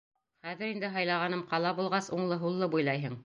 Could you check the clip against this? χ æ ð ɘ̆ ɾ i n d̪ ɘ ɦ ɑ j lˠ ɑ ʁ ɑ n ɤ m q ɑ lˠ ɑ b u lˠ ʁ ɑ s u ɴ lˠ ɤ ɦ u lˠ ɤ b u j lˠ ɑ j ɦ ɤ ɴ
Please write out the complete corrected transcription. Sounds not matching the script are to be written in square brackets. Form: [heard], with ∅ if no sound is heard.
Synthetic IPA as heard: χ æ ð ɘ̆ ɾ i n d̪ ɘ ɦ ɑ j lˠ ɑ ʁ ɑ n ɤ m q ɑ lˠ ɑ b u lˠ ʁ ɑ s u ɴ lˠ ɤ ɦ u [lˠː] ɤ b u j lˠ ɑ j ɦ ɤ ɴ